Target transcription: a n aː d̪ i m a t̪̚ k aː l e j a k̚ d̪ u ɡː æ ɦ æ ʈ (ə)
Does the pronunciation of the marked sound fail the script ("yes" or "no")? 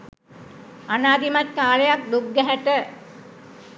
no